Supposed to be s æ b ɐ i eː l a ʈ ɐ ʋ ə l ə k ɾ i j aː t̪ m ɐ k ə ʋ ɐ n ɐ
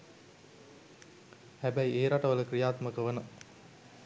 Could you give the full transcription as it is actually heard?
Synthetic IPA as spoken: h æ b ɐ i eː ɾ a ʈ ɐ ʋ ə l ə k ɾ i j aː t̪ m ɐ k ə ʋ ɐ n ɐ